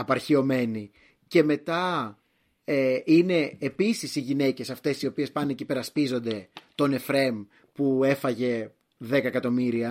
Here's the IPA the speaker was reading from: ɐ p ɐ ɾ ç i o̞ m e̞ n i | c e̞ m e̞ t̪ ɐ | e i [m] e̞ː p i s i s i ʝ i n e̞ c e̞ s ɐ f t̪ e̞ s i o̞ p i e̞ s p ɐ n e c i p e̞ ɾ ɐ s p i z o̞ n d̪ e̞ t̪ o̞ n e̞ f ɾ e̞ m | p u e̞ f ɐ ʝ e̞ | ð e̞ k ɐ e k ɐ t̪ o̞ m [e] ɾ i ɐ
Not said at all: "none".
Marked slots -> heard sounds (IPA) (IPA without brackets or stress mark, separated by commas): n, i